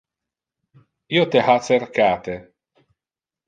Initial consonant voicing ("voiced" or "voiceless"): voiceless